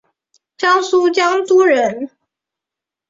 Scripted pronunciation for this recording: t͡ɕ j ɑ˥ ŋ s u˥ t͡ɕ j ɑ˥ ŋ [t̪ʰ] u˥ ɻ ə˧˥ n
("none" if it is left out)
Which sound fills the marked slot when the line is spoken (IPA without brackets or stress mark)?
t̪